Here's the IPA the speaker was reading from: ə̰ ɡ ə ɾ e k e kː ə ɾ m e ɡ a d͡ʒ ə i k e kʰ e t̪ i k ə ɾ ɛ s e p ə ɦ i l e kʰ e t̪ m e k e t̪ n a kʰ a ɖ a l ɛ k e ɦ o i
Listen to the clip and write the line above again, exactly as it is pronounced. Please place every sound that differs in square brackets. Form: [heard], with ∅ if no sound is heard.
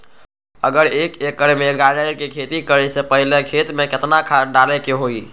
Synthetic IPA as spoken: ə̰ ɡ ə ɾ e k e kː ə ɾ m e ɡ a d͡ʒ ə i k e kʰ e t̪ i k ə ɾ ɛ s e p ə ɦ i l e kʰ e t̪ m e k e t̪ n a kʰ a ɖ a l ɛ k e ɦ o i